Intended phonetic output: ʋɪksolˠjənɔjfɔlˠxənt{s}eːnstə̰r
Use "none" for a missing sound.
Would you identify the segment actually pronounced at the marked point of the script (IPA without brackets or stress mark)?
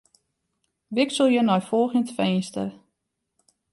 f